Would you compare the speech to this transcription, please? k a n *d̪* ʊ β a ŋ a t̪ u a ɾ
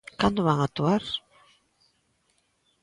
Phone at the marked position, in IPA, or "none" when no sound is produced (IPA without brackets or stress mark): d̪